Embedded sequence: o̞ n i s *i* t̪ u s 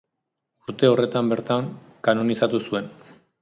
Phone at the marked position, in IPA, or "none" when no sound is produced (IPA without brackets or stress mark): a